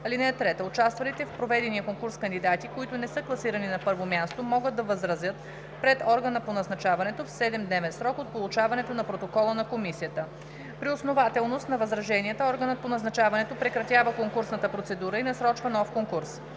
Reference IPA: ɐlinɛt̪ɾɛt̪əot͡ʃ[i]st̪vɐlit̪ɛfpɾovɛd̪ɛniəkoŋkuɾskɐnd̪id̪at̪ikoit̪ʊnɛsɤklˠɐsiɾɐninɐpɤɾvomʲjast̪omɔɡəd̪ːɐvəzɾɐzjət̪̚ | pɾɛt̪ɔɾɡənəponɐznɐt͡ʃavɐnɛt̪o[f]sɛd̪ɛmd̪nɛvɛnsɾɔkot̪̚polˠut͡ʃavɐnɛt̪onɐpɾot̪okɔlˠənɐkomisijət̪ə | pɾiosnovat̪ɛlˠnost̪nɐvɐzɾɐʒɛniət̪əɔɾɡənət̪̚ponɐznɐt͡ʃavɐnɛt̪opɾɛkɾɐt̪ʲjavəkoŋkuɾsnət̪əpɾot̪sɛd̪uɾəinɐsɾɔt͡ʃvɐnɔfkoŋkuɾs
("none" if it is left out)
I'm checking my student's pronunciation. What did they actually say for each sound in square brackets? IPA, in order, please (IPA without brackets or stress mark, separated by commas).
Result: a, f